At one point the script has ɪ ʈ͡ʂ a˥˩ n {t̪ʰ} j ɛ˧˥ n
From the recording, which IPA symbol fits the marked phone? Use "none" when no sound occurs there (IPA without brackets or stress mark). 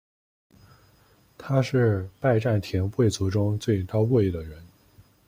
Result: t̪ʰ